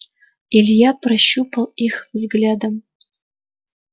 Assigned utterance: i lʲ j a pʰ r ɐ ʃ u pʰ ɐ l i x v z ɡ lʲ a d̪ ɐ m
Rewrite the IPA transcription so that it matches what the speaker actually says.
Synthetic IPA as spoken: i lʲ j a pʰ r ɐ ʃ u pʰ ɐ l i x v z ɡ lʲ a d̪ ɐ m

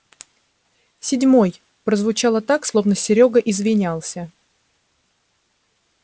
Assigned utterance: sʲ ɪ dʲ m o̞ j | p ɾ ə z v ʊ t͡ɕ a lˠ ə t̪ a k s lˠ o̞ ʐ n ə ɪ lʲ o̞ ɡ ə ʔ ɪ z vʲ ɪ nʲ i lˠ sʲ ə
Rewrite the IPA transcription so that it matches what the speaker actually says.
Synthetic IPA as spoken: sʲ ɪ dʲ m o̞ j | p ɾ ə z v ʊ t͡ɕ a lˠ ə t̪ a k s lˠ o̞ v n ə ɪ ɾʲ o̞ ɡ ə ʔ ɪ z vʲ ɪ nʲ a lˠ sʲ ə

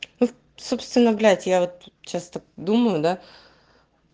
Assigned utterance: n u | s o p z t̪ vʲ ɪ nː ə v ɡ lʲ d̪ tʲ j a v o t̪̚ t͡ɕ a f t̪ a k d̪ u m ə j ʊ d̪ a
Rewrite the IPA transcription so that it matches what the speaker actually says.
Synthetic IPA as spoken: n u | s o p s t̪ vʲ ɪ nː ə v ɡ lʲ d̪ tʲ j a v o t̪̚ t͡ɕ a s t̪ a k d̪ u m ə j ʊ d̪ a

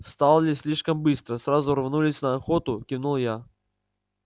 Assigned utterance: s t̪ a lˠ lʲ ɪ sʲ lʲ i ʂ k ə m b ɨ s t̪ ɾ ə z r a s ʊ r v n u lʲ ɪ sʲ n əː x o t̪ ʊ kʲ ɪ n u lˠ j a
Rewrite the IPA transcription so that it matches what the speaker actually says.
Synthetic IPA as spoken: s t̪ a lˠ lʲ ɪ sʲ lʲ i ʂ k ə m b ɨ s t̪ ɾ ə s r a z ʊ r v n u lʲ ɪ sʲ n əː x o t̪ ʊ kʲ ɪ n u lˠ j a

